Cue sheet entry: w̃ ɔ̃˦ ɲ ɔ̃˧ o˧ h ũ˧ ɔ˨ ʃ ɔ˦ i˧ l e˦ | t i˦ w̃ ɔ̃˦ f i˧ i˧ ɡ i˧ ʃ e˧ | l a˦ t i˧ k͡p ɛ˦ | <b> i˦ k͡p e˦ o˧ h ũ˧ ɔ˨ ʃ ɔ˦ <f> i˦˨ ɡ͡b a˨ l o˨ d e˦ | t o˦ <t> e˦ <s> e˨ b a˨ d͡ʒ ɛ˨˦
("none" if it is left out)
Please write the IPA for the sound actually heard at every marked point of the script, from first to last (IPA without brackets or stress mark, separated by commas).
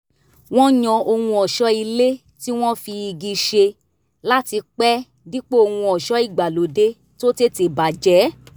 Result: d, none, t, t